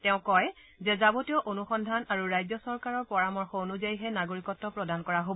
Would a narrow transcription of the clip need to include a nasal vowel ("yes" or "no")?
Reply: yes